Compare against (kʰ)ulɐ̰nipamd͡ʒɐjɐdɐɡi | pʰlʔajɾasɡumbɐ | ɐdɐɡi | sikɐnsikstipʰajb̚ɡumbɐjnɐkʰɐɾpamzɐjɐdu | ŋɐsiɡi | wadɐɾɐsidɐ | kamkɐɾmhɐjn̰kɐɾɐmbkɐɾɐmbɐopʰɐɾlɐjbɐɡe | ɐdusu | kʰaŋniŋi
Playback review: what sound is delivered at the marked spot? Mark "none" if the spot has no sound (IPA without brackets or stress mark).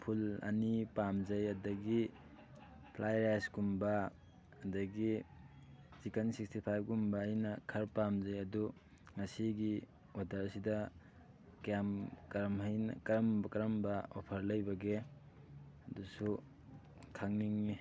pʰ